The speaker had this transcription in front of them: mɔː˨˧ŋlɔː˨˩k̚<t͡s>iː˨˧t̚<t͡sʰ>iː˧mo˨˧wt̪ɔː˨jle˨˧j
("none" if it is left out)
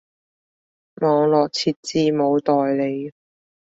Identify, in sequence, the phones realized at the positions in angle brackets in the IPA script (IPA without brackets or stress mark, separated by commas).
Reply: t͡sʰ, t͡s